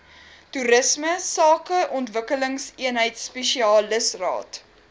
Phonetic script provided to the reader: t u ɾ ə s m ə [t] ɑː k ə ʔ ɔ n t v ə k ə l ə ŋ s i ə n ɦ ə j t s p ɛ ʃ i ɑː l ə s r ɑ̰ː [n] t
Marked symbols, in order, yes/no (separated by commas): no, no